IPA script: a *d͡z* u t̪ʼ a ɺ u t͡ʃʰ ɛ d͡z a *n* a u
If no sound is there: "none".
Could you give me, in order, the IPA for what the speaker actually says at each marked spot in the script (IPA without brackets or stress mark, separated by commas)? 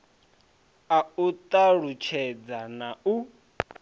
none, n